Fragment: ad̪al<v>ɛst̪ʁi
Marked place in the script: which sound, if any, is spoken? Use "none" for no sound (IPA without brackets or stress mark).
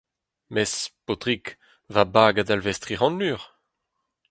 v